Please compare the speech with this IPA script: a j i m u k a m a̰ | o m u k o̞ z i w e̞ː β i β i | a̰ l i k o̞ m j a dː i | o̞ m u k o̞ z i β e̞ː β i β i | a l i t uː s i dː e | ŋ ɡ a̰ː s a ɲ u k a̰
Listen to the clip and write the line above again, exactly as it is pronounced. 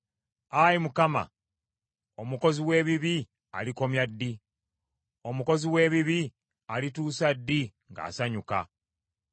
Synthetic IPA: a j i m u k a m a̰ | o m u k o̞ z i w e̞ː β i β i | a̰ l i k o̞ m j a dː i | o̞ m u k o̞ z i w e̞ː β i β i | a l i t uː s a dː i | ŋ ɡ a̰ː s a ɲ u k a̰